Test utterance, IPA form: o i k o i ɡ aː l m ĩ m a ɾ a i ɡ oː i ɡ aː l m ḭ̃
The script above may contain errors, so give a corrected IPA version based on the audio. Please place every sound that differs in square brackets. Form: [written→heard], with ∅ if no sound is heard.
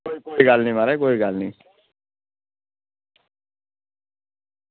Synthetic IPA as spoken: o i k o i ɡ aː l [m→n] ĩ m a ɾ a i [ɡ→k] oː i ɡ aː l [m→n] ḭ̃